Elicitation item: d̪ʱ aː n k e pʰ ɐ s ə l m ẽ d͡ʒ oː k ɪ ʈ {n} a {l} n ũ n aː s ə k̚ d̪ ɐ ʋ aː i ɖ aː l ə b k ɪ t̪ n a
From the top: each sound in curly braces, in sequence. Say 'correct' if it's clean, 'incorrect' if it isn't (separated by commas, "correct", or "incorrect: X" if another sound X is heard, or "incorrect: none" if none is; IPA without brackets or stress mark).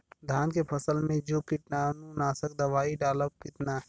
correct, incorrect: none